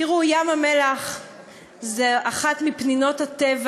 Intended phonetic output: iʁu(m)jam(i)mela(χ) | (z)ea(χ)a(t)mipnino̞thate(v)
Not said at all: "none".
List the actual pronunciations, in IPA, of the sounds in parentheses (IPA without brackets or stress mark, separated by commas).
none, a, χ, z, χ, t, v